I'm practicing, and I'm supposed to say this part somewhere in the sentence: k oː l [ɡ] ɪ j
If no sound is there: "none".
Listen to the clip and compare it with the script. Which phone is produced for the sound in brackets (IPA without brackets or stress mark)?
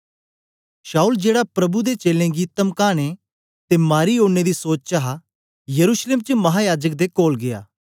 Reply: ɡ